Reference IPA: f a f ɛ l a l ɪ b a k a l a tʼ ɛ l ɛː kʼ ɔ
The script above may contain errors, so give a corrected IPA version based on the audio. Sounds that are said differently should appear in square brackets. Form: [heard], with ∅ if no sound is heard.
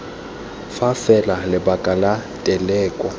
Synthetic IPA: f a f ɛ l a l ɪ b a [kʼ] a l a tʼ ɛ l ɛː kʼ ɔ